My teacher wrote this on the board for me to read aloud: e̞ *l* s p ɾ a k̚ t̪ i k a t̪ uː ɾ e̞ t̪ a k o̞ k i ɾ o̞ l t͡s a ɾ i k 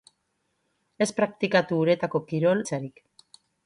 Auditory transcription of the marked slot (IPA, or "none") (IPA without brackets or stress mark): none